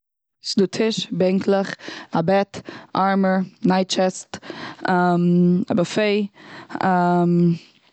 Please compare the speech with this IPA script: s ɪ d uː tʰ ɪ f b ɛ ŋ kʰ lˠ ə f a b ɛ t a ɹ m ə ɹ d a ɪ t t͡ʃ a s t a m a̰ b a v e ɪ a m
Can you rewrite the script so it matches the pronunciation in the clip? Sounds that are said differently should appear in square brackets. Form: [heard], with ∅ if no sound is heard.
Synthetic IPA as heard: s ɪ d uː tʰ ɪ [ʃ] b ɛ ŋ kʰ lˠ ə [χ] a b ɛ t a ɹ m ə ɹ [n] a ɪ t t͡ʃ [ɛ] s t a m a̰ b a [f] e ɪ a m

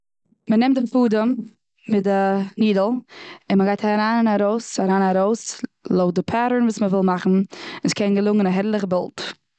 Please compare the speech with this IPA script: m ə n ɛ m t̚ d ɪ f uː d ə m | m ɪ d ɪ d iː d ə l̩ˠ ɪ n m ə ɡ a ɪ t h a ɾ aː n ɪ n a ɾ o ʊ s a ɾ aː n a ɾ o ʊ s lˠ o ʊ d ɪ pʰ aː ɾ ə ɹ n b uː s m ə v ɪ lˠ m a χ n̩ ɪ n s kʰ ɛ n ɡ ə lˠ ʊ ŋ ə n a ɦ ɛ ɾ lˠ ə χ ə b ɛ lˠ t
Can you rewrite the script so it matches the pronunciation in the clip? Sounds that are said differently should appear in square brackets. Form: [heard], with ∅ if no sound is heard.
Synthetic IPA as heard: m ə n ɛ m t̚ d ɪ f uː d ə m | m ɪ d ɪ [n] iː d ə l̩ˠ ɪ n m ə ɡ a ɪ t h a ɾ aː n ɪ n a ɾ o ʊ s a ɾ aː n a ɾ o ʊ s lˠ o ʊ d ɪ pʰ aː ɾ ə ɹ n [v] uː s m ə v ɪ lˠ m a χ n̩ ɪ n s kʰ ɛ n ɡ ə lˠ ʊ ŋ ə n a ɦ ɛ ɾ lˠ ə χ ə b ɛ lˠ t

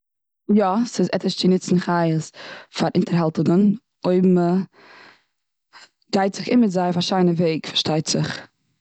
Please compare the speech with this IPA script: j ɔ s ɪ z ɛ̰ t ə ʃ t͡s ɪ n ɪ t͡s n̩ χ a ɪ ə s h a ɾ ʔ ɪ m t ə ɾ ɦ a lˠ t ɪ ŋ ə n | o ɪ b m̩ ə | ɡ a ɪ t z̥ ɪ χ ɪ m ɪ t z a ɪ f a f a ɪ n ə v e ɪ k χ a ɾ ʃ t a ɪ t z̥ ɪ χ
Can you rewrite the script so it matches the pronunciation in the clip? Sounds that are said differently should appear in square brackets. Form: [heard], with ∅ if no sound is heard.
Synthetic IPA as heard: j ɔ s ɪ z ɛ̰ t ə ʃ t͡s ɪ n ɪ t͡s n̩ χ a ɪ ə s [f] a ɾ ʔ ɪ [n] t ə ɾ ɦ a lˠ t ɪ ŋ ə n | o ɪ b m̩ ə | ɡ a ɪ t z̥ ɪ χ ɪ m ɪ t z a ɪ f a [ʃ] a ɪ n ə v e ɪ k [f] a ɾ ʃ t a ɪ t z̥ ɪ χ

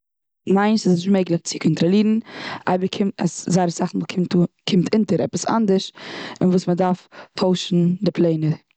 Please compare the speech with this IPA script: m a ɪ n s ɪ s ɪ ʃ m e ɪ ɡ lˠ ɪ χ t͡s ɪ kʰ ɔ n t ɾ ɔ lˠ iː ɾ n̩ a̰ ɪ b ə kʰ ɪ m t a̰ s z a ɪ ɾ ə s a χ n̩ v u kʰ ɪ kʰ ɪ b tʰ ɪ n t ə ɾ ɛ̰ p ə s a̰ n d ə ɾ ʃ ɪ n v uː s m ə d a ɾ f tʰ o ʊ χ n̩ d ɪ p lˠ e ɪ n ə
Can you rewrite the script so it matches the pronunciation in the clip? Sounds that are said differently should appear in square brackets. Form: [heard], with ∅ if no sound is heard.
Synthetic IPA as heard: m a ɪ n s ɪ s ɪ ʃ m e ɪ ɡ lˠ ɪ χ t͡s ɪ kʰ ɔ n t ɾ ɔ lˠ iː ɾ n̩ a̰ ɪ b ə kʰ ɪ m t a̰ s z a ɪ ɾ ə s a χ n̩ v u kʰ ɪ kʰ ɪ [m] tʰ ɪ n t ə ɾ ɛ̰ p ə s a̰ n d ə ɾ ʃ ɪ n v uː s m ə d a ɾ f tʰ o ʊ [ʃ] n̩ d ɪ p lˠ e ɪ n ə

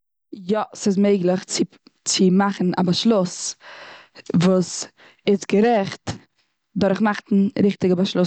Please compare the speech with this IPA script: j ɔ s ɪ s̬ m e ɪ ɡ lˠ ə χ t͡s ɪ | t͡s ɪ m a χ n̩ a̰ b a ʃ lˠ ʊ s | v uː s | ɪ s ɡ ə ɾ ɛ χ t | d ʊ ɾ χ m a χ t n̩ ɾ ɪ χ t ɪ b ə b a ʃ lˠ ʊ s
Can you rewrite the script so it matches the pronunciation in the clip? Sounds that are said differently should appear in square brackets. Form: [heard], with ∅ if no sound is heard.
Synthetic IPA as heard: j ɔ s ɪ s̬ m e ɪ ɡ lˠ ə χ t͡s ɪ | t͡s ɪ m a χ n̩ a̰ b a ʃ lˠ ʊ s | v uː s | ɪ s ɡ ə ɾ ɛ χ t | d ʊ ɾ χ m a χ t n̩ ɾ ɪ χ t ɪ [ɡ] ə b a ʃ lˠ ʊ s

